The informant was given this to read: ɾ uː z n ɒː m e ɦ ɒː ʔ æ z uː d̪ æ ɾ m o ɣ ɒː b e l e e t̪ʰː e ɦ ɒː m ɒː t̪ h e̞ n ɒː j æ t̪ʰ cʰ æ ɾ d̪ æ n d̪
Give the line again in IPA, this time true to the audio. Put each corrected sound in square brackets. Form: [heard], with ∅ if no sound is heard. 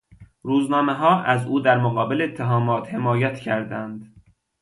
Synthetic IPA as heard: ɾ uː z n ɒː m e ɦ ɒː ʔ æ z uː d̪ æ ɾ m o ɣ ɒː b e l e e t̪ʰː e ɦ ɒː m ɒː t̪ h e̞ [m] ɒː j æ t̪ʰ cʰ æ ɾ d̪ æ n d̪